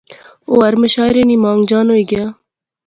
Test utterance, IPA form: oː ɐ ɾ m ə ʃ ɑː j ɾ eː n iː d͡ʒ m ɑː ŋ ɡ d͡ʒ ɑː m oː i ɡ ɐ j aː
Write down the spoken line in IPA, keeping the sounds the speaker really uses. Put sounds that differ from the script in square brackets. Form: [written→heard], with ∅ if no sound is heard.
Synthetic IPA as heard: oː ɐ ɾ m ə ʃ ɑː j ɾ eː n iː [d͡ʒ→∅] m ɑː ŋ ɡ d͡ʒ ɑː [m→n] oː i ɡ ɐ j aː